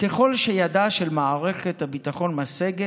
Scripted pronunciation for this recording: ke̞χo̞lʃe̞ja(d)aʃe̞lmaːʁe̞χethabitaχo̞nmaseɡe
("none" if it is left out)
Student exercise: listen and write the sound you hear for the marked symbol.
d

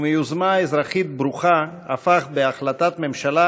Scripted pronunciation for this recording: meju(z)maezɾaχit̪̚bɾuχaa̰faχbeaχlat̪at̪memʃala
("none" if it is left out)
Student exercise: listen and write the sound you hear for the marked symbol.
z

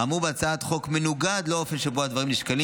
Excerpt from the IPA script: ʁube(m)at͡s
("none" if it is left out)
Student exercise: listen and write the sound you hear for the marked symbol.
none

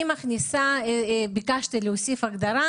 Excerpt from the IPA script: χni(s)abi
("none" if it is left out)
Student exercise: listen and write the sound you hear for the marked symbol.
s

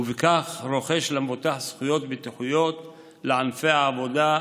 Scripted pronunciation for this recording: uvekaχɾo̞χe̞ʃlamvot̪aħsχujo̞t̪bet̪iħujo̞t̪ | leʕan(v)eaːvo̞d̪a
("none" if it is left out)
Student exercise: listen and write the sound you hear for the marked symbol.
f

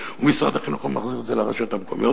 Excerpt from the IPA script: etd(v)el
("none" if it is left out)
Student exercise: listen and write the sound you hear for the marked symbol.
z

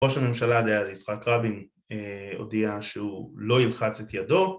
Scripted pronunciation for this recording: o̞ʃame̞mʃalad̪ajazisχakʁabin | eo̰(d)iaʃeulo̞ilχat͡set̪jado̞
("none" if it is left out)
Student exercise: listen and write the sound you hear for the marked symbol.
d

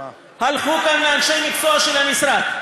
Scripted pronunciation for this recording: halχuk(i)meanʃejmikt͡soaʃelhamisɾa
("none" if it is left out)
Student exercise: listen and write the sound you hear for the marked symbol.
a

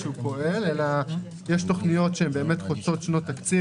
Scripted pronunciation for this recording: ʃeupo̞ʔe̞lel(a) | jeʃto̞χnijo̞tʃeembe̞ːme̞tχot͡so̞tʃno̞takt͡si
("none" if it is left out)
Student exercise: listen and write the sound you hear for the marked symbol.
a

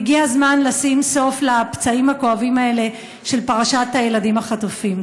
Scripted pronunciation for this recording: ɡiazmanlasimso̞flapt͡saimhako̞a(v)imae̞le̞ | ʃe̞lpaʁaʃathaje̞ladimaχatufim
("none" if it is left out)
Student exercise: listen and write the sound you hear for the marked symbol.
v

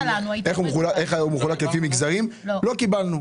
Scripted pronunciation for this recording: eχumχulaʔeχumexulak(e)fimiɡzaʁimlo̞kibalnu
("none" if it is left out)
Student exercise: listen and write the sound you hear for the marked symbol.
e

